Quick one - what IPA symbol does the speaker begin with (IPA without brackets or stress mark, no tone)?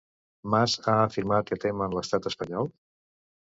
m